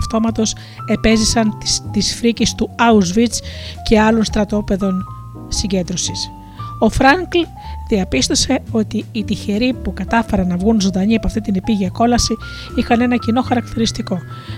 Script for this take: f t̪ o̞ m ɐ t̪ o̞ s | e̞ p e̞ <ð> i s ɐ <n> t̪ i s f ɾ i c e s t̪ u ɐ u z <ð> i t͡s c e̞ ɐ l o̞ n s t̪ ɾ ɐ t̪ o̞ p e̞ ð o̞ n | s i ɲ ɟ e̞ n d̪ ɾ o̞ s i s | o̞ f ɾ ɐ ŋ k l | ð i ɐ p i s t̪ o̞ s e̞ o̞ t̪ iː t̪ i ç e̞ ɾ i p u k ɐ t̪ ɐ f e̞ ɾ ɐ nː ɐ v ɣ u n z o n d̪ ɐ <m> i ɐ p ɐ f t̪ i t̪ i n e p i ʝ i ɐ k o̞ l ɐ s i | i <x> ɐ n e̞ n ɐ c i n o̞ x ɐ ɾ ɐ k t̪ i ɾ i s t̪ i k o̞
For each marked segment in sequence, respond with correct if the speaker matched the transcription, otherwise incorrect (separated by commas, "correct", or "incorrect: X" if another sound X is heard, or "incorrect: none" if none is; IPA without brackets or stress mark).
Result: incorrect: z, correct, incorrect: v, incorrect: ɲ, correct